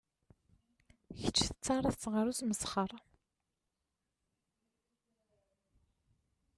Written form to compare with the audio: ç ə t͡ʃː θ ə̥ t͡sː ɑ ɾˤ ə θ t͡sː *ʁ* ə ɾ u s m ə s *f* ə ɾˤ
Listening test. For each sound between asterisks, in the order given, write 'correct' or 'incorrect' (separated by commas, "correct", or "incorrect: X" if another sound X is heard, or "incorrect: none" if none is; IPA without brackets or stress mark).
correct, incorrect: χ